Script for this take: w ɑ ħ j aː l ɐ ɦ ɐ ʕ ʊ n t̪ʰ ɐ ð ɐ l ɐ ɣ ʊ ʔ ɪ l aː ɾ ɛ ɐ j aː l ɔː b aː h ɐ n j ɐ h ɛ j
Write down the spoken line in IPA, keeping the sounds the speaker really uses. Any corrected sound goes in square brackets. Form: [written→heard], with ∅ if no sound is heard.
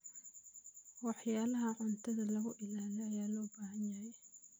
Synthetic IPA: w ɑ ħ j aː l ɐ ɦ ɐ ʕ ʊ n t̪ʰ ɐ ð ɐ l ɐ ɣ ʊ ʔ ɪ l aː [ɾ→l] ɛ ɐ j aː l ɔː b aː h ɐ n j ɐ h ɛ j